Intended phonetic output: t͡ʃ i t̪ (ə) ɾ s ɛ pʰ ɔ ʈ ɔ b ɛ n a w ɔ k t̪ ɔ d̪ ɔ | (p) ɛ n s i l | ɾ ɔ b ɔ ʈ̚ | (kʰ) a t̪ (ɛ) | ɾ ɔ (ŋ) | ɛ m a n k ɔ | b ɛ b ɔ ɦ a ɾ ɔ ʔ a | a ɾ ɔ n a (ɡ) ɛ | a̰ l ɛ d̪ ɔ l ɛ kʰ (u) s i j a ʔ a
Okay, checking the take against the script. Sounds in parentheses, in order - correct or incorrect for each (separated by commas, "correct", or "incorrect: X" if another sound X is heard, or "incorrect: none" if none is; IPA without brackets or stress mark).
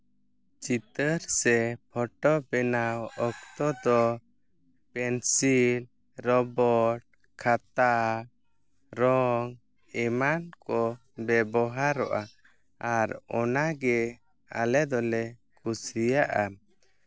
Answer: correct, correct, correct, incorrect: a, correct, correct, correct